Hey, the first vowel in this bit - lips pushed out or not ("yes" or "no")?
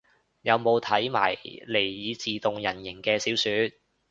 no